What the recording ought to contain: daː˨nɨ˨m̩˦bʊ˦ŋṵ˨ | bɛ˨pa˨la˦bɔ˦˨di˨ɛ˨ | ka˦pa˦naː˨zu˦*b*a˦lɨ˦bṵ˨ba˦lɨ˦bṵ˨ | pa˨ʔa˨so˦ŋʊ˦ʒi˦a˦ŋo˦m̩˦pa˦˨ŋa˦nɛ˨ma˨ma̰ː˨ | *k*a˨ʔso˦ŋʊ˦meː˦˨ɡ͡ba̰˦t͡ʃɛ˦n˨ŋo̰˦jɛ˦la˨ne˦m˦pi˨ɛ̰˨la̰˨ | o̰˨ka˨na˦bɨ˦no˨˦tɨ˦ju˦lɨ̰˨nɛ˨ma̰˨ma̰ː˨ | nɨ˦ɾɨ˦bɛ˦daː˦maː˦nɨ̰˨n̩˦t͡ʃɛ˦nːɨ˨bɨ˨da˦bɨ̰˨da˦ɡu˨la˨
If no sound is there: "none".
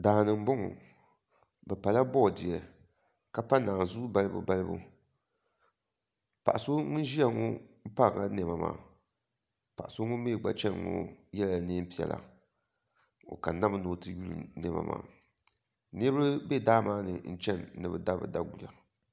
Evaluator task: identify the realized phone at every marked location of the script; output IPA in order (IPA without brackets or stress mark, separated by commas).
b, p